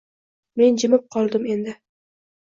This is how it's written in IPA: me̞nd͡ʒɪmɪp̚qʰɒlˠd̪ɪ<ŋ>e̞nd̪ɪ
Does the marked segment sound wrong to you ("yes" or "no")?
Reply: yes